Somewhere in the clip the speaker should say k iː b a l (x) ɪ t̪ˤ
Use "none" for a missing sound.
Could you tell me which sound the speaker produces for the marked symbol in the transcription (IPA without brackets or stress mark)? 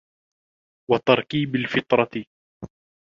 f